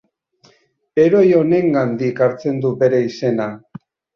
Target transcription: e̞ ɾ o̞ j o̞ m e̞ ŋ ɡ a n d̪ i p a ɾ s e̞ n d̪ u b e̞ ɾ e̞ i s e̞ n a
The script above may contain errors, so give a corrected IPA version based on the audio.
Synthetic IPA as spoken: e̞ ɾ o̞ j o̞ n e̞ ŋ ɡ a n d̪ i k a ɾ t͡s e̞ n d̪ u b e̞ ɾ e̞ i s e̞ n a